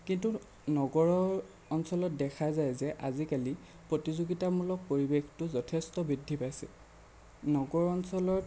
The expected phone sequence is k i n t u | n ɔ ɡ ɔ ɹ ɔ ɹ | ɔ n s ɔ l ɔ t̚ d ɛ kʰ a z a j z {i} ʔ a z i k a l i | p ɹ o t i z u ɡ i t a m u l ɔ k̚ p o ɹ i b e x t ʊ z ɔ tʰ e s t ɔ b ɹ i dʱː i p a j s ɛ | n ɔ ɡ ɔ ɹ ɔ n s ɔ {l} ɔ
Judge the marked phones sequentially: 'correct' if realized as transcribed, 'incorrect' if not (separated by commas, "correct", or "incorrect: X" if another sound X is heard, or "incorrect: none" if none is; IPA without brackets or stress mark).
incorrect: ɛ, correct